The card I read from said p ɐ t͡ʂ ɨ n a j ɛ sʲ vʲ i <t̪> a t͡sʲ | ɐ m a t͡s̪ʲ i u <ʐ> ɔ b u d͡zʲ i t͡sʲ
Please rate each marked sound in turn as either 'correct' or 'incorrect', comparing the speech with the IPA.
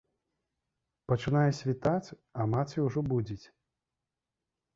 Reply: correct, correct

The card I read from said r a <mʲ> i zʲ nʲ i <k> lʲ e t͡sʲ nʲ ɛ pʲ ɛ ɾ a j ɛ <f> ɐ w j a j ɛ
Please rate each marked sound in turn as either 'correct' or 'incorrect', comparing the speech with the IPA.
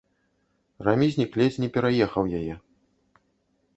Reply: correct, correct, incorrect: x

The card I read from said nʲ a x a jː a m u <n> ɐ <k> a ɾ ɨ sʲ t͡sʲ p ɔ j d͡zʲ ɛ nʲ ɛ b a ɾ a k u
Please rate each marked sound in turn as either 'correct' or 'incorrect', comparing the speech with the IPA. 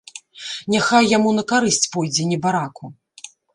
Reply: correct, correct

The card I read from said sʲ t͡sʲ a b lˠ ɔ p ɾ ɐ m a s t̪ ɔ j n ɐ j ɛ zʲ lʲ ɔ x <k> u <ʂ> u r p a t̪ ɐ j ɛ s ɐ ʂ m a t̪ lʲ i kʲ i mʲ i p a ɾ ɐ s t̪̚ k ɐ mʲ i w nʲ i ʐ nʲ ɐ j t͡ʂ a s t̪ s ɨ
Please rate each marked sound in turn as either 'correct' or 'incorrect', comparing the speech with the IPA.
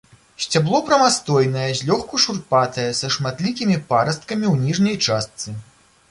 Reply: correct, correct

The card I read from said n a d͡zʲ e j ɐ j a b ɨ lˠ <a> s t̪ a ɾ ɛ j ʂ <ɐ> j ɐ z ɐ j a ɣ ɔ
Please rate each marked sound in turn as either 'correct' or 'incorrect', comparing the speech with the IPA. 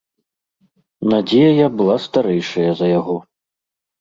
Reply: correct, correct

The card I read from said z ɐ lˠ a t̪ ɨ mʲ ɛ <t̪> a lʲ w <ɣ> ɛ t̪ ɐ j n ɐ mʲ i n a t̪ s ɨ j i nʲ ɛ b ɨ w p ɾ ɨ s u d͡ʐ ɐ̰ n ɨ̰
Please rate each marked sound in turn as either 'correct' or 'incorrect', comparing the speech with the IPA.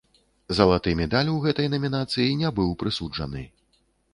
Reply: incorrect: d̪, correct

